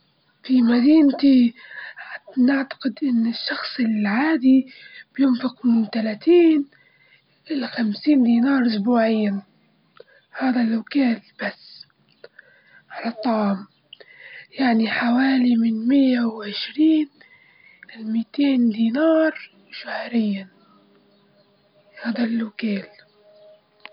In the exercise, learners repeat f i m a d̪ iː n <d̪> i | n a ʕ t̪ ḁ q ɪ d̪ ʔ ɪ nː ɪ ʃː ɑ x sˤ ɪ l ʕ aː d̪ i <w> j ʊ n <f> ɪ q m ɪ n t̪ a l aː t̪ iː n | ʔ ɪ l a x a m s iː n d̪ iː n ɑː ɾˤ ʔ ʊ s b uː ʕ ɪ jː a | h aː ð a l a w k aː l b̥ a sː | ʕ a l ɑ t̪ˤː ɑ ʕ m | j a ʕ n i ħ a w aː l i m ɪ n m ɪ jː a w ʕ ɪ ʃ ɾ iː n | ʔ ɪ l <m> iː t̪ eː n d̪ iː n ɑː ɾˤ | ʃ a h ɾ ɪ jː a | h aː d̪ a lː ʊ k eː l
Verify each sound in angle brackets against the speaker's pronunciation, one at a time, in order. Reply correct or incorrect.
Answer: incorrect: t̪, incorrect: b, correct, correct

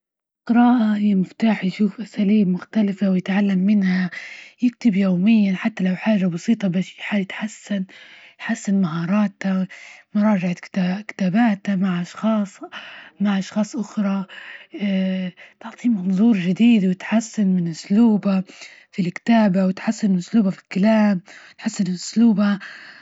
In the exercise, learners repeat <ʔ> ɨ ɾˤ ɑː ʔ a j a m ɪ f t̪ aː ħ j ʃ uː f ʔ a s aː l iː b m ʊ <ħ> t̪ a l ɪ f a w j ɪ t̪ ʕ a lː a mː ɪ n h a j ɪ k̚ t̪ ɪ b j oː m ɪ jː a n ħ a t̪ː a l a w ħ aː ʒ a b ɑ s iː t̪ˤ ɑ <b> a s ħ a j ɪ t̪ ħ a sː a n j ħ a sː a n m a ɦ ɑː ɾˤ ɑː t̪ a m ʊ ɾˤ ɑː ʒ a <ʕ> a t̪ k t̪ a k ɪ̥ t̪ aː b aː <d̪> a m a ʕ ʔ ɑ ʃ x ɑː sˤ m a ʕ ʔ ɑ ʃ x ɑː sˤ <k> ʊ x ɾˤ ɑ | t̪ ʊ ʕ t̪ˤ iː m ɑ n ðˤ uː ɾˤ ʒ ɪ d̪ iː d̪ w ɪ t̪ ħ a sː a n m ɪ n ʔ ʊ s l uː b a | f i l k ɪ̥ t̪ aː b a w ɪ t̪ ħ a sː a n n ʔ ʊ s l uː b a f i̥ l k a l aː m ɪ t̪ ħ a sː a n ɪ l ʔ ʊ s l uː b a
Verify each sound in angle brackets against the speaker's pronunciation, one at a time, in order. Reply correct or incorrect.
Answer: incorrect: q, incorrect: x, correct, correct, incorrect: t̪, incorrect: ʔ

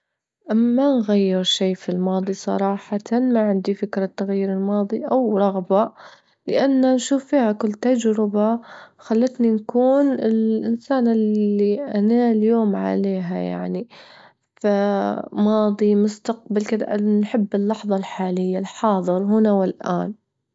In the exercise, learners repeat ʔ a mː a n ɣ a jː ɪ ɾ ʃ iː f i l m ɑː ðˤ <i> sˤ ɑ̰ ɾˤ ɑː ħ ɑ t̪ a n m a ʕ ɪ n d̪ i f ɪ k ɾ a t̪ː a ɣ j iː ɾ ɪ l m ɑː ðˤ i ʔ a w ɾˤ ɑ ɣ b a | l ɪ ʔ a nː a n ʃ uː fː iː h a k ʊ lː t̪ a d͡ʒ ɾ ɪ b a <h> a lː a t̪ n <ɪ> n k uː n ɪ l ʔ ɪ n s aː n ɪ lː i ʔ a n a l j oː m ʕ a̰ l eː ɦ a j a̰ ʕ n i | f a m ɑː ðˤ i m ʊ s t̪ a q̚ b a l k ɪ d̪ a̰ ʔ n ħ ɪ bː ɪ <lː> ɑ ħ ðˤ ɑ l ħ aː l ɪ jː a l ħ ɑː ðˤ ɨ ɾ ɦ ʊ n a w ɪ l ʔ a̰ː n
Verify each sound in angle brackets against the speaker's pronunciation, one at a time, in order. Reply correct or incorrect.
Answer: correct, incorrect: x, incorrect: i, correct

